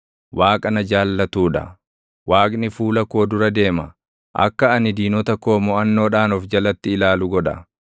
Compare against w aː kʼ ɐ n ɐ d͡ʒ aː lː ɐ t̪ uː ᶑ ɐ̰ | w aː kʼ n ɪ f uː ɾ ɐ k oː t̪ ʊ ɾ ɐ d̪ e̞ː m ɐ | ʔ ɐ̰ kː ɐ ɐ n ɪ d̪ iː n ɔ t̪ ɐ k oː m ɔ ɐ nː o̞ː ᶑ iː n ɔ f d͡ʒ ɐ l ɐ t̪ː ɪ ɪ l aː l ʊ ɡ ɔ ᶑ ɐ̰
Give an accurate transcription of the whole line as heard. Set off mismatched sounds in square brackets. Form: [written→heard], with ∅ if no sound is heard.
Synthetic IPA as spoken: w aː kʼ ɐ n ɐ d͡ʒ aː lː ɐ t̪ uː ᶑ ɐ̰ | w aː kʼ n ɪ f uː [ɾ→l] ɐ k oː [t̪→d̪] ʊ ɾ ɐ d̪ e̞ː m ɐ | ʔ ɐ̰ kː ɐ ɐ n ɪ d̪ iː n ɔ t̪ ɐ k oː m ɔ ɐ nː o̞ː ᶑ [iː→aː] n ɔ f d͡ʒ ɐ l ɐ t̪ː ɪ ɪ l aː l ʊ ɡ ɔ ᶑ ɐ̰

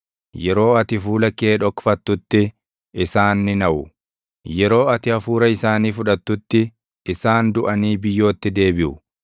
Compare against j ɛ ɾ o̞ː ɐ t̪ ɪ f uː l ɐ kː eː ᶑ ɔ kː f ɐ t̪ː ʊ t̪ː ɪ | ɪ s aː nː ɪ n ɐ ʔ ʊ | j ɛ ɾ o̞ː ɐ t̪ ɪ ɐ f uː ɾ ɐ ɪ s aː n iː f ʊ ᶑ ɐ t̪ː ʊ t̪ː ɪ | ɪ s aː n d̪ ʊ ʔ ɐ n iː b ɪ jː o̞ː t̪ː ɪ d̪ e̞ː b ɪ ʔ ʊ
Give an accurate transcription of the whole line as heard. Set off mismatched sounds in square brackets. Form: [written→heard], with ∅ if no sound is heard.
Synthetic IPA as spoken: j ɛ ɾ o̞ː ɐ t̪ ɪ f uː l ɐ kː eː ᶑ ɔ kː f ɐ t̪ː ʊ t̪ː ɪ | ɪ s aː nː ɪ n ɐ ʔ ʊ | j ɛ ɾ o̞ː ɐ t̪ ɪ ɐ f uː ɾ ɐ ɪ s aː n iː f ʊ ᶑ ɐ t̪ː ʊ t̪ː ɪ | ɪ s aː n d̪ ʊ ʔ ɐ n iː b ɪ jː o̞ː t̪ː ɪ d̪ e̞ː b ɪ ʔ ʊ

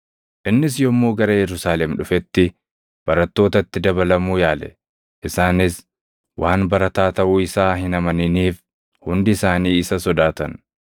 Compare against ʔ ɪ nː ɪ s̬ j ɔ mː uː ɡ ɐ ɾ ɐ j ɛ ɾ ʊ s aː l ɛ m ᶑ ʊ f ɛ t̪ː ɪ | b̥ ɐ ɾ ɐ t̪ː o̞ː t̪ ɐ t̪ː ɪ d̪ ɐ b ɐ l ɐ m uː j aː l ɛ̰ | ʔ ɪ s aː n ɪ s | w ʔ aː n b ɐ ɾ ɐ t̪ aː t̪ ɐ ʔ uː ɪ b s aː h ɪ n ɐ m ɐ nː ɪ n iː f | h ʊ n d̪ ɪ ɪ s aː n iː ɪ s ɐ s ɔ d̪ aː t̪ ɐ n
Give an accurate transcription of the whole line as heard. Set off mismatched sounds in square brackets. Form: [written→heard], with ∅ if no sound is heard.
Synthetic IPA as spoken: ʔ ɪ nː ɪ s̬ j ɔ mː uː ɡ ɐ ɾ ɐ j ɛ ɾ ʊ s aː l ɛ m ᶑ ʊ f ɛ t̪ː ɪ | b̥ ɐ ɾ ɐ t̪ː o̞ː t̪ ɐ t̪ː ɪ d̪ ɐ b ɐ l ɐ m uː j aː l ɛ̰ | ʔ ɪ s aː n ɪ s | w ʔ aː n b ɐ ɾ ɐ t̪ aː t̪ ɐ ʔ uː ɪ [b→∅] s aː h ɪ n ɐ m ɐ [nː→n] ɪ n iː f | h ʊ n d̪ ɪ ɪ s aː n iː ɪ s ɐ s ɔ d̪ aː t̪ ɐ n

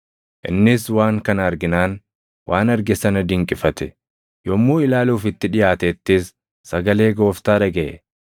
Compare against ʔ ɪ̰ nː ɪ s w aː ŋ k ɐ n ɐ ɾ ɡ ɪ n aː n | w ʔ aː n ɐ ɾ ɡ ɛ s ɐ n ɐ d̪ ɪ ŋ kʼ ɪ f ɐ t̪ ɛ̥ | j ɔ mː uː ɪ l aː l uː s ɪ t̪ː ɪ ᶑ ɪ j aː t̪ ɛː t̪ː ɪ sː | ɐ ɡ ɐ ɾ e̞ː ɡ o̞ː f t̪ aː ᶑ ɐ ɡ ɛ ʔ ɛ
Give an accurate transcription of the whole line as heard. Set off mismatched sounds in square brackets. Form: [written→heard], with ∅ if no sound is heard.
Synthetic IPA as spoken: ʔ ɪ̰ nː ɪ s w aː ŋ k ɐ n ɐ ɾ ɡ ɪ n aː n | w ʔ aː n ɐ ɾ ɡ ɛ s ɐ n ɐ d̪ ɪ ŋ kʼ ɪ f ɐ t̪ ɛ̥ | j ɔ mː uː ɪ l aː l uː [s→f] ɪ t̪ː ɪ ᶑ ɪ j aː t̪ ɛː t̪ː ɪ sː | ɐ ɡ ɐ [ɾ→l] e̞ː ɡ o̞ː f t̪ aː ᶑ ɐ ɡ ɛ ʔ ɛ

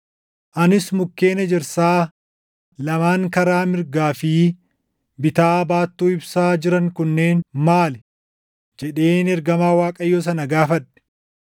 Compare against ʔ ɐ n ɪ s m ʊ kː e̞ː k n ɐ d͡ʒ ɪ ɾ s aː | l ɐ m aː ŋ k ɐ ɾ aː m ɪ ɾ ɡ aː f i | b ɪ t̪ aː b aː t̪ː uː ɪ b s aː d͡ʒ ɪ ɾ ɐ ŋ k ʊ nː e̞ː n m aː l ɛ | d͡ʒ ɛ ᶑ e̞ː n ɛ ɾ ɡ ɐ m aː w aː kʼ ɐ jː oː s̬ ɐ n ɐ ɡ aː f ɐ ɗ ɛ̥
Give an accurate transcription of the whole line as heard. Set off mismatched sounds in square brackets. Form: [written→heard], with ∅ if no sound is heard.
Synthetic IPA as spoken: ʔ ɐ n ɪ s m ʊ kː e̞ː [k→∅] n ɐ d͡ʒ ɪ ɾ s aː | l ɐ m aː ŋ k ɐ ɾ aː m ɪ ɾ ɡ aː f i | b ɪ t̪ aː b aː t̪ː uː ɪ b s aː d͡ʒ ɪ ɾ ɐ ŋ k ʊ nː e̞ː n m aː l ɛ | d͡ʒ ɛ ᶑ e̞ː n ɛ ɾ ɡ ɐ m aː w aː kʼ ɐ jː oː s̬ ɐ n ɐ ɡ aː f ɐ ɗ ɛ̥

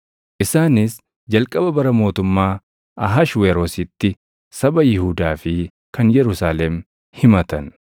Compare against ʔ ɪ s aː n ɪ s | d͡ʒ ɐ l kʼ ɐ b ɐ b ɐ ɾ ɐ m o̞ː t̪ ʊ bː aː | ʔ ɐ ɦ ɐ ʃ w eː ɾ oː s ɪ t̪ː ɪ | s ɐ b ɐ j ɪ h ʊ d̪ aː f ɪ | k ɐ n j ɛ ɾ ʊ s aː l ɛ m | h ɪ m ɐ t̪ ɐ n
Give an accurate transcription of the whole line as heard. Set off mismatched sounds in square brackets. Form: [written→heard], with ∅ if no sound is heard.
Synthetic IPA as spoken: ʔ ɪ s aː n ɪ s | d͡ʒ ɐ l kʼ ɐ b ɐ b ɐ ɾ ɐ m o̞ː t̪ ʊ [bː→mː] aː | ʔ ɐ ɦ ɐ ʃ w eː ɾ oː s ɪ t̪ː ɪ | s ɐ b ɐ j ɪ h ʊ d̪ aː f ɪ | k ɐ n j ɛ ɾ ʊ s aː l ɛ m | h ɪ m ɐ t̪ ɐ n

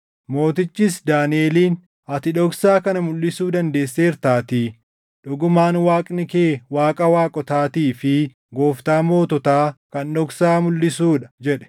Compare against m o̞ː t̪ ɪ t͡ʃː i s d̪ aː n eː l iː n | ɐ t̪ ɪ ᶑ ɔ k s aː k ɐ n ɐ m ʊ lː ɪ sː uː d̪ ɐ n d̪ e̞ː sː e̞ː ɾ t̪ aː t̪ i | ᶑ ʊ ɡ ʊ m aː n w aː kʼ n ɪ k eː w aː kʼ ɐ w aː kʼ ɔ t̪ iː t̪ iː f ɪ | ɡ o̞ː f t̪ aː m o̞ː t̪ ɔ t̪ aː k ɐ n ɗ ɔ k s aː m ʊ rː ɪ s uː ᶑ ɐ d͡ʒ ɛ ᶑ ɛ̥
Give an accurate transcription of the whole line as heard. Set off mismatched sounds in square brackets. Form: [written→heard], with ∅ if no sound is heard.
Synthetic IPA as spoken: m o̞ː t̪ ɪ t͡ʃː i s d̪ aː n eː l iː n | ɐ t̪ ɪ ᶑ ɔ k s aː k ɐ n ɐ m ʊ lː ɪ [sː→s] uː d̪ ɐ n d̪ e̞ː sː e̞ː ɾ t̪ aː t̪ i | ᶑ ʊ ɡ ʊ m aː n w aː kʼ n ɪ k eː w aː kʼ ɐ w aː kʼ ɔ t̪ [iː→aː] t̪ iː f ɪ | ɡ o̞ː f t̪ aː m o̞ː t̪ ɔ t̪ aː k ɐ n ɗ ɔ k s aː m ʊ [rː→lː] ɪ s uː ᶑ ɐ d͡ʒ ɛ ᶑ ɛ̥

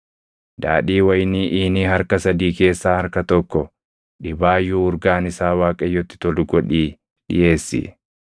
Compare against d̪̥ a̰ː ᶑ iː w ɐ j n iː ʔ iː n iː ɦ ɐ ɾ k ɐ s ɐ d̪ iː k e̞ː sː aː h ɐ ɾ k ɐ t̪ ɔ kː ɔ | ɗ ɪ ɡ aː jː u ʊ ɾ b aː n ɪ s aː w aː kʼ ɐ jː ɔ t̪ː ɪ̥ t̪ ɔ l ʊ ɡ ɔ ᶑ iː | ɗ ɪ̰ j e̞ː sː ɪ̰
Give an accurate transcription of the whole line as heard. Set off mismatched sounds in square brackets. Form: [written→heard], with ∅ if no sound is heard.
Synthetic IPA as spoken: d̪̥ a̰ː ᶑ iː w ɐ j n iː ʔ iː n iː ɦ ɐ ɾ k ɐ s ɐ d̪ iː k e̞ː sː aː h ɐ ɾ k ɐ t̪ ɔ kː ɔ | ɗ ɪ [ɡ→b] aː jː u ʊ ɾ [b→ɡ] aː n ɪ s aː w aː kʼ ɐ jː ɔ t̪ː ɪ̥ t̪ ɔ l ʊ ɡ ɔ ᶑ iː | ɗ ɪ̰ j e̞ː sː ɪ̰

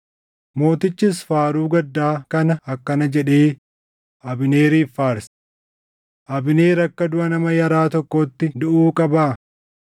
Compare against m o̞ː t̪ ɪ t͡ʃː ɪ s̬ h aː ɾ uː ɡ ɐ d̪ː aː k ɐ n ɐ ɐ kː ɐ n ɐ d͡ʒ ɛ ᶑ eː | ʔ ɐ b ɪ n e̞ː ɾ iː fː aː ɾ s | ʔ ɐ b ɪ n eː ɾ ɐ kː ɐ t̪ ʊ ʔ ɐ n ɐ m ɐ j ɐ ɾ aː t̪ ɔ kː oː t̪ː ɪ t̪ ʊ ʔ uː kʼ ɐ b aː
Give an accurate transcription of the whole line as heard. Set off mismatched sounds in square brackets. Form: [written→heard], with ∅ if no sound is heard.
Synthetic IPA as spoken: m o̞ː t̪ ɪ t͡ʃː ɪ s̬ [h→f] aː ɾ uː ɡ ɐ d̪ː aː k ɐ n ɐ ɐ kː ɐ n ɐ d͡ʒ ɛ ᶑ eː | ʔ ɐ b ɪ n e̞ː ɾ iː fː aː ɾ s | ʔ ɐ b ɪ n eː ɾ ɐ kː ɐ [t̪→d̪] ʊ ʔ ɐ n ɐ m ɐ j ɐ ɾ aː t̪ ɔ kː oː t̪ː ɪ [t̪→d̪] ʊ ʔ uː kʼ ɐ b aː

